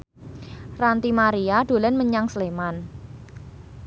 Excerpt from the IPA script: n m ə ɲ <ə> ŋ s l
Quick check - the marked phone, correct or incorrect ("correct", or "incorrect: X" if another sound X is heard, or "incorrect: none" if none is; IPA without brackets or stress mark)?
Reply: incorrect: a